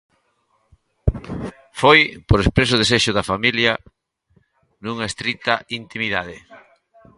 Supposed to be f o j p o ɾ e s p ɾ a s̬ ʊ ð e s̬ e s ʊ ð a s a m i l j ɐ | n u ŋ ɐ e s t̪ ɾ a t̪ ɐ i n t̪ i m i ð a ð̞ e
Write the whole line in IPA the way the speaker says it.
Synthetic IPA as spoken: f o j p o ɾ e s p ɾ e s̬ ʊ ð e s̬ e ʃ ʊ ð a f a m i l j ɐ | n u ŋ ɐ e s t̪ ɾ i t̪ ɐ i n t̪ i m i ð a ð̞ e